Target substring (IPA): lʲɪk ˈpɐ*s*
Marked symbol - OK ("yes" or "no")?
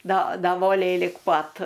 no